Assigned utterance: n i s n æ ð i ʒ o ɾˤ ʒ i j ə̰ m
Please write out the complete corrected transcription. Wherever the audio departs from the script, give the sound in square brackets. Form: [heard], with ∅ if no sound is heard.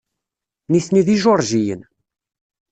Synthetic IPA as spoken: n i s n [i] ð i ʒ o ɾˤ ʒ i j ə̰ [n]